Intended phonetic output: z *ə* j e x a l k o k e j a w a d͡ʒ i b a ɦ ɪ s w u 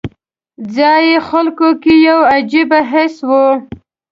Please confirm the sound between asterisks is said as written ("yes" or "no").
no